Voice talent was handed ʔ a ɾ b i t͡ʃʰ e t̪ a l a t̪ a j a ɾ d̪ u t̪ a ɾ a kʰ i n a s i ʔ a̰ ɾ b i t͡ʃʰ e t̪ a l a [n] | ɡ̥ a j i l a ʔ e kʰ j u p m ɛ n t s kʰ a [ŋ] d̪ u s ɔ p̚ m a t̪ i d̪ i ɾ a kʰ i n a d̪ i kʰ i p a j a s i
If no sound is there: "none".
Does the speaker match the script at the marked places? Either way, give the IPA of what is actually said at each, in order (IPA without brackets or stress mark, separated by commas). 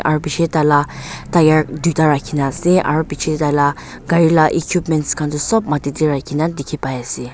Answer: none, n